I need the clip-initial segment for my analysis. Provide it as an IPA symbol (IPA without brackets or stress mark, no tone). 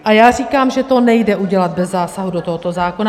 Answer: ʔ